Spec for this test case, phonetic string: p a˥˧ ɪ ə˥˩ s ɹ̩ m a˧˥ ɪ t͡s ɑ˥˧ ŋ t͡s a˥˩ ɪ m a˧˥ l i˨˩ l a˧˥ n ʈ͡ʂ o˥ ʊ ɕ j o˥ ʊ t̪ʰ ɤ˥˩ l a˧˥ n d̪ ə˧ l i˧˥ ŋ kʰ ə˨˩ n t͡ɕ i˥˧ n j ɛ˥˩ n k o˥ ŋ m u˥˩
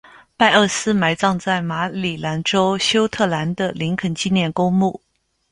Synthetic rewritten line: p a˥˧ ɪ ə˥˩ s ɹ̩ m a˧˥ ɪ t͡s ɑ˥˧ ŋ t͡s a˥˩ ɪ m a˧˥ l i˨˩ l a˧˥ n ʈ͡ʂ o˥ ʊ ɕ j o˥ ʊ t̪ʰ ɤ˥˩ l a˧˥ n d̪ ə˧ l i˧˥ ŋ kʰ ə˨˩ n t͡ɕ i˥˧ n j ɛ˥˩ n k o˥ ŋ m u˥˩